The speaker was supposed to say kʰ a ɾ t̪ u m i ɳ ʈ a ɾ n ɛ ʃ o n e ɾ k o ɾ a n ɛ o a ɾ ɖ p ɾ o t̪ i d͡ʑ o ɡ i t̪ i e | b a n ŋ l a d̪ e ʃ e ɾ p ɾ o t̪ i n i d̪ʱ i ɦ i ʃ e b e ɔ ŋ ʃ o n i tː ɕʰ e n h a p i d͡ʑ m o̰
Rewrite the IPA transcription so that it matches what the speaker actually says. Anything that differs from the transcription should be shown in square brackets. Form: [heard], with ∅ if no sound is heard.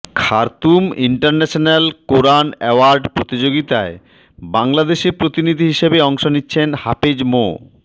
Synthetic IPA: kʰ a ɾ t̪ u m i ɳ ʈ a ɾ n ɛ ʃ o n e [l] k o ɾ a n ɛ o a ɾ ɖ p ɾ o t̪ i d͡ʑ o ɡ i t̪ [a] e | b a [∅] ŋ l a d̪ e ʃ e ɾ p ɾ o t̪ i n i d̪ʱ i ɦ i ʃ e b e ɔ ŋ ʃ o n i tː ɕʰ e n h a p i d͡ʑ m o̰